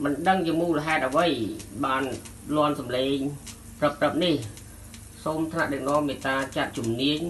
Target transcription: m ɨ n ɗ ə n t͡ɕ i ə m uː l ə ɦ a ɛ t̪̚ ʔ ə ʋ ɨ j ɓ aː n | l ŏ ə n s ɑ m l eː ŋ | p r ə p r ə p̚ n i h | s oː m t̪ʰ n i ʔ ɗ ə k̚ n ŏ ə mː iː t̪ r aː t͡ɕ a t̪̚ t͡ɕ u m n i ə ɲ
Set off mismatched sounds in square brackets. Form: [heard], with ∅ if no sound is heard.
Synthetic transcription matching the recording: m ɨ n ɗ ə [ŋ] t͡ɕ i ə m uː l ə ɦ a ɛ t̪̚ ʔ ə ʋ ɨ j ɓ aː n | l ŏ ə n s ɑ m l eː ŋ | p r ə p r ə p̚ n i h | s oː m t̪ʰ n [a] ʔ ɗ ə k̚ n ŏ ə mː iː t̪ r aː t͡ɕ a t̪̚ t͡ɕ u m n i ə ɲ